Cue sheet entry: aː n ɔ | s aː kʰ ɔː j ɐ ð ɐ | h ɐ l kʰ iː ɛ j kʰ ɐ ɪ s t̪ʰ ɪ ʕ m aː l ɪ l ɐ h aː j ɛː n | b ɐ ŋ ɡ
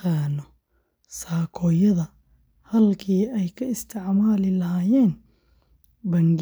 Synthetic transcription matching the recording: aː n ɔ | s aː kʰ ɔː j ɐ ð ɐ | h ɐ l kʰ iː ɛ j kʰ ɐ ɪ s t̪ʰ ɪ ʕ m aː l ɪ l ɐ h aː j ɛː n | b ɐ ŋ ɡ